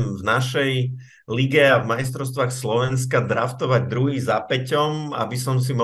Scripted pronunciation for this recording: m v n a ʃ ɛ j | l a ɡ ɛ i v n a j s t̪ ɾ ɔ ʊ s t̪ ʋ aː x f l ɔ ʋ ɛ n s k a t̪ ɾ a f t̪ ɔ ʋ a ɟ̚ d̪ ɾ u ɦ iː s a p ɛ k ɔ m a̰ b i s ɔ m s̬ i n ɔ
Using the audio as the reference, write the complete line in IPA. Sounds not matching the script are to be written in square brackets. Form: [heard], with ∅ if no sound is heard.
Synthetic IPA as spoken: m v n a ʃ ɛ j | l [i] ɡ ɛ [a] v [m] a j s t̪ ɾ ɔ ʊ s t̪ ʋ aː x [s] l ɔ ʋ ɛ n s k a [d̪] ɾ a f t̪ ɔ ʋ a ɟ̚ d̪ ɾ u ɦ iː [z] a p ɛ [c] ɔ m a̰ b i s ɔ m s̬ i [m] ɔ